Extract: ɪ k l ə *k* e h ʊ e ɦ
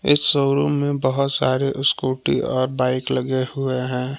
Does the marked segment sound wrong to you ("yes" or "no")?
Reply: yes